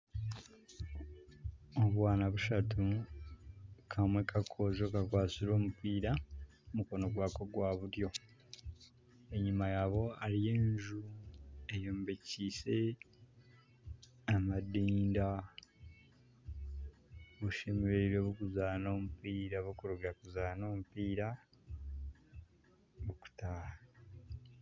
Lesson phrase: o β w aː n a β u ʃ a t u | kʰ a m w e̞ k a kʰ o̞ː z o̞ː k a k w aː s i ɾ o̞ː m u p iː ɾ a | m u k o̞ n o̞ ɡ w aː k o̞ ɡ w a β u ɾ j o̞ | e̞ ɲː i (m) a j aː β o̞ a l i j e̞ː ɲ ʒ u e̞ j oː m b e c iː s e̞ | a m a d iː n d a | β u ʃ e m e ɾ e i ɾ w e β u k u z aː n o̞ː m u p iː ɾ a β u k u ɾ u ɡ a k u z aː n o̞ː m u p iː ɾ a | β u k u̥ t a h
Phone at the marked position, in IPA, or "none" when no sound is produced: m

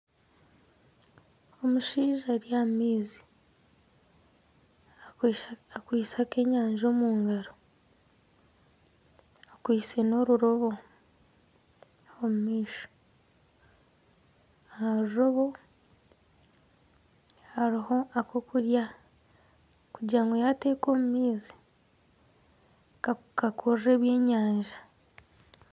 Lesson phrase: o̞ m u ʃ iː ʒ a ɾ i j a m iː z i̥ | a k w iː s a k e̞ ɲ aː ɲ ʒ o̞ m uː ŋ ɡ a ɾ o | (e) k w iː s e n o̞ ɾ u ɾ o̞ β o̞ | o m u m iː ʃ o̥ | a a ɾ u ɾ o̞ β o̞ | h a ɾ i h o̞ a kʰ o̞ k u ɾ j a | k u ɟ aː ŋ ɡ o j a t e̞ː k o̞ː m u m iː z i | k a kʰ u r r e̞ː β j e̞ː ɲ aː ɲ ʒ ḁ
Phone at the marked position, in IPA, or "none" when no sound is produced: a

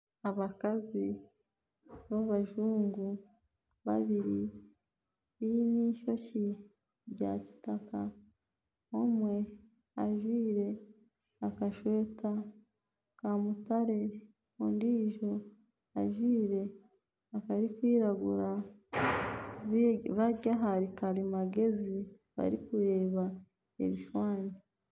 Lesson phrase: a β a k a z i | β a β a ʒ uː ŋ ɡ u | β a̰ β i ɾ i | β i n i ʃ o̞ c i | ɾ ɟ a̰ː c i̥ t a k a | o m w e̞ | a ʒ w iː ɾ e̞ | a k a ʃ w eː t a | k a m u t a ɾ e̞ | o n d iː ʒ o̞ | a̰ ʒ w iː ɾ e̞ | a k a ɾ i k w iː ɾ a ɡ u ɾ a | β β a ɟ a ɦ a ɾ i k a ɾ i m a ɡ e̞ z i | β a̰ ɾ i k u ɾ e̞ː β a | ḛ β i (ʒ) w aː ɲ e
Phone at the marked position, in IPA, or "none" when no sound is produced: ʃ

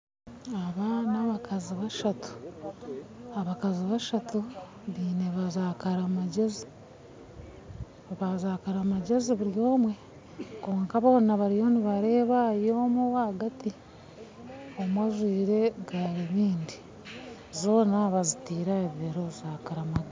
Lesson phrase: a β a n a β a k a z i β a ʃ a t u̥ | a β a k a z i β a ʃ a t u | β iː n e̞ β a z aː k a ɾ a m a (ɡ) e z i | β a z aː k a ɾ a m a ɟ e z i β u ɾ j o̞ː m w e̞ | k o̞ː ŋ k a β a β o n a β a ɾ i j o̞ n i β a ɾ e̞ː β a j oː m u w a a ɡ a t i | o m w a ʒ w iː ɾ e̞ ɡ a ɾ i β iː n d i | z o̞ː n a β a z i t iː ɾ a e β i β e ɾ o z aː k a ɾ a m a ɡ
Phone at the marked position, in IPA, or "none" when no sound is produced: ɟ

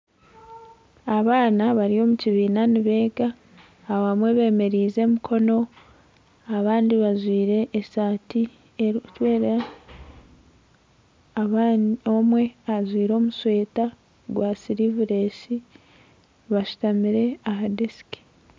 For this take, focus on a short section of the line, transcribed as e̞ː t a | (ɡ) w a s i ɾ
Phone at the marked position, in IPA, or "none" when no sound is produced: ɡ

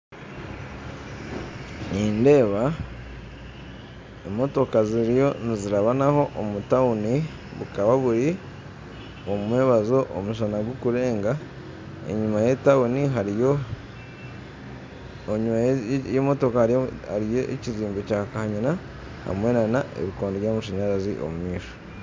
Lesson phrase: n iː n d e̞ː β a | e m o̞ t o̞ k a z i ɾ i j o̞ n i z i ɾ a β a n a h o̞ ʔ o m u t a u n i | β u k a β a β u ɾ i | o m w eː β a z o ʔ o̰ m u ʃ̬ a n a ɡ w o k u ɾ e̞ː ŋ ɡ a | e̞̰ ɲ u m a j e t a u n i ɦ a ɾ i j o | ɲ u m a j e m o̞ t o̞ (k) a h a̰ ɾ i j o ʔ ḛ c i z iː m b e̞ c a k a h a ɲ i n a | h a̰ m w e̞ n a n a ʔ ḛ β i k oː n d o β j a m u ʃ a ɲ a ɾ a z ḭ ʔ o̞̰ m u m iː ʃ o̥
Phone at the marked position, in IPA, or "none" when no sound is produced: k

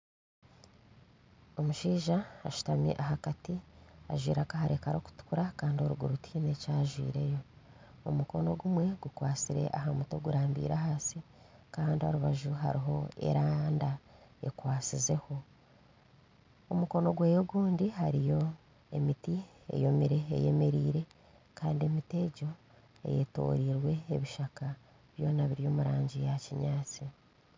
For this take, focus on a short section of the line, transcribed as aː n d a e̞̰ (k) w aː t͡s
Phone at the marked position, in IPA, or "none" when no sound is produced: k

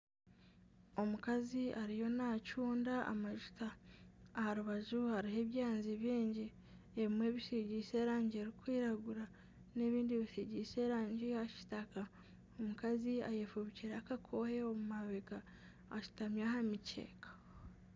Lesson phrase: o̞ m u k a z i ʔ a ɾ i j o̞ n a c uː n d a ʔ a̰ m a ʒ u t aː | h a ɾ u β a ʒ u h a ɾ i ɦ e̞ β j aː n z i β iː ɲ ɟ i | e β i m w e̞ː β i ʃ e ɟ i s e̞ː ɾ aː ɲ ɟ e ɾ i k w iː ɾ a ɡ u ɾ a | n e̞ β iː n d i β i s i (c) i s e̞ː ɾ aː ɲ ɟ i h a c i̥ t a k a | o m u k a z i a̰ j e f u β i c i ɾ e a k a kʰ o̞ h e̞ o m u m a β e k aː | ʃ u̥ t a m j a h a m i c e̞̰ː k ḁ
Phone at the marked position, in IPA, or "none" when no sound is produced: ɟ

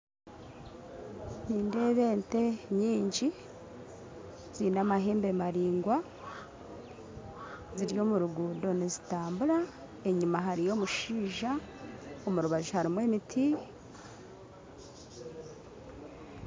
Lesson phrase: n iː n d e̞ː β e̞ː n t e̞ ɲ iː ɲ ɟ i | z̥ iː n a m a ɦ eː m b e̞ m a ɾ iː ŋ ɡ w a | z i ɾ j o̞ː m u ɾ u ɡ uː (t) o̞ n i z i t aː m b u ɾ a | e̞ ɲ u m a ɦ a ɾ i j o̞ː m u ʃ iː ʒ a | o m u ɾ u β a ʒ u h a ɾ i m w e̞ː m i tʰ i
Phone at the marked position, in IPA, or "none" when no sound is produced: d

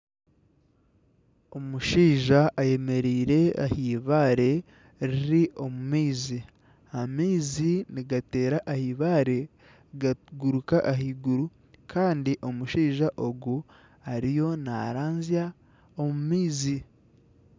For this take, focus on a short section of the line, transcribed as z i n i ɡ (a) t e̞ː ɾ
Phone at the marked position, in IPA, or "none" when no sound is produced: a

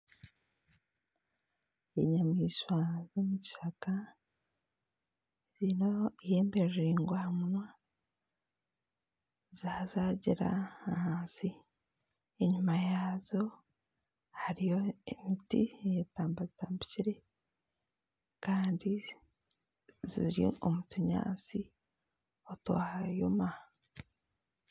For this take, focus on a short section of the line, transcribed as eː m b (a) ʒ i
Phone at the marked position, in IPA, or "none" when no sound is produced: e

